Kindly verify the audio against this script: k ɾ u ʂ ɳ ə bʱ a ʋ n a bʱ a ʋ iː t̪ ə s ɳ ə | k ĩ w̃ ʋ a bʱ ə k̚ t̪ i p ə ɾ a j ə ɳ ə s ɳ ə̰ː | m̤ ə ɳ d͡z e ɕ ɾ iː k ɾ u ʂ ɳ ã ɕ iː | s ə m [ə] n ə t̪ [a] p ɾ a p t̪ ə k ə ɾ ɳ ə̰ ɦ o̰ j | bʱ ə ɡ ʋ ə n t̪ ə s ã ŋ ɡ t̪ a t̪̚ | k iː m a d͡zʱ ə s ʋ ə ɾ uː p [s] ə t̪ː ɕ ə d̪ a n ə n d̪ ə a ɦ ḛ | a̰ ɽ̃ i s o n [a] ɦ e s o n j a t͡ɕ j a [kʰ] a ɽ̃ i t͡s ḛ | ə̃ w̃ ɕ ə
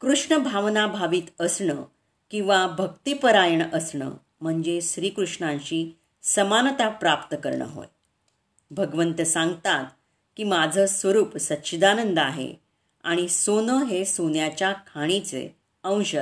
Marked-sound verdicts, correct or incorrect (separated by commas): incorrect, correct, correct, incorrect, correct